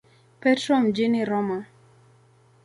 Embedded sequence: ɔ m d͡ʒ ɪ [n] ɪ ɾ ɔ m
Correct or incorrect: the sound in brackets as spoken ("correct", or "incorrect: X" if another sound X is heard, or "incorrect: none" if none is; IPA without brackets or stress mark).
correct